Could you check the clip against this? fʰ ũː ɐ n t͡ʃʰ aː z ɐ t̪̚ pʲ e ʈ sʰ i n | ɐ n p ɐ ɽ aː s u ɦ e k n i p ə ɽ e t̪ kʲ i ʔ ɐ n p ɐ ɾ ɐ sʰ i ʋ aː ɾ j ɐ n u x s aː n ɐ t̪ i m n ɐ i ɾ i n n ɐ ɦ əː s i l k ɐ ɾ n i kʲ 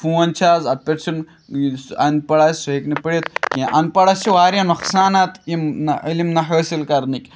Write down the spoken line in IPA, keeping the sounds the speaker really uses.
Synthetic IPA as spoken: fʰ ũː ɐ n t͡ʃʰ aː z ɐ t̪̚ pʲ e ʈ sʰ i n | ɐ n p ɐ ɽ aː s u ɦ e k n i p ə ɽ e t̪ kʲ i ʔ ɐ n p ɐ ɽ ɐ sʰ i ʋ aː ɾ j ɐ n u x s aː n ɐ t̪ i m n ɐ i l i m n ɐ ɦ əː s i l k ɐ ɾ n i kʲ